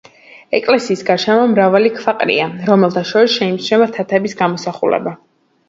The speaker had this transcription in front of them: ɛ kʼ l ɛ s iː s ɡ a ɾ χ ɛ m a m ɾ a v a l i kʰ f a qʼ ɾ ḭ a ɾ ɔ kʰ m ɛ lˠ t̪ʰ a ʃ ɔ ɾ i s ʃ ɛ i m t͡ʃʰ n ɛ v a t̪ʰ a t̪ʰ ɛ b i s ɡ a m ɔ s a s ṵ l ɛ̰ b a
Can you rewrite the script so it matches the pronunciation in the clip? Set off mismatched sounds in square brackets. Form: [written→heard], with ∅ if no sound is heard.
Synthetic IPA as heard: ɛ kʼ l ɛ s iː s ɡ a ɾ [χ→ʃ] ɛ m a m ɾ a v a l i kʰ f a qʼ ɾ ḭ a ɾ ɔ [kʰ→∅] m ɛ lˠ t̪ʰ a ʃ ɔ ɾ i s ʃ ɛ i m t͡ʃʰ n ɛ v a t̪ʰ a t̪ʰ ɛ b i s ɡ a m ɔ s a [s→χ] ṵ l ɛ̰ b a